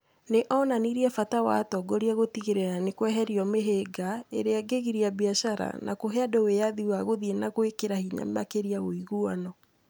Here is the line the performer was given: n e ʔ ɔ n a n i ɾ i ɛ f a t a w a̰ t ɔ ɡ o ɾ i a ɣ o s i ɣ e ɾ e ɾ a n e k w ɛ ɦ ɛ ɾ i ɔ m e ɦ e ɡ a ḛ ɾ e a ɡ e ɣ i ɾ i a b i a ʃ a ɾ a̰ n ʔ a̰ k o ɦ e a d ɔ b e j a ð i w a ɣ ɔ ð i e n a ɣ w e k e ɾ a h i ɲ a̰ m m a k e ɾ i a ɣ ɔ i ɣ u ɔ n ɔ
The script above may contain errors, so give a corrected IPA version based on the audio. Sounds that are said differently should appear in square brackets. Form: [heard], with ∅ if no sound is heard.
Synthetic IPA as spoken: n e ʔ ɔ n a n i ɾ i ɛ f a t a w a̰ t ɔ ɡ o ɾ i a ɣ o [t] i ɣ e ɾ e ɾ a n e k w ɛ ɦ ɛ ɾ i ɔ m e ɦ e ɡ a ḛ ɾ e a ɡ e ɣ i ɾ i a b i a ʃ a ɾ a̰ n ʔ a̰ k o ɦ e a d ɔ [w] e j a ð i w a ɣ [o] ð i e n a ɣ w e k e ɾ a h i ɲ a̰ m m a k e ɾ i a ɣ [o] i ɣ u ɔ n ɔ